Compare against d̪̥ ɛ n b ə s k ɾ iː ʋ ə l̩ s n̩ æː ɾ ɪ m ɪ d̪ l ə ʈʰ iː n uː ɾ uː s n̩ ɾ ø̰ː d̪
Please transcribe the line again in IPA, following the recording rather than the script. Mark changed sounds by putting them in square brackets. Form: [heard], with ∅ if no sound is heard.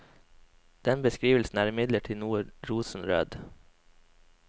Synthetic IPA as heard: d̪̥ ɛ n b ə s k ɾ iː ʋ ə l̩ s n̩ æː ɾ ɪ m ɪ d̪ l ə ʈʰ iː n uː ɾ uː s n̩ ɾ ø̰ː d̪